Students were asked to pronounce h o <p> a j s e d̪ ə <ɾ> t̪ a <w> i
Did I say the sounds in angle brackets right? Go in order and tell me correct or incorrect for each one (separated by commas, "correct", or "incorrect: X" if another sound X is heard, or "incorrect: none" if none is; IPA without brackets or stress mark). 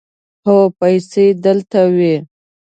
correct, incorrect: l, correct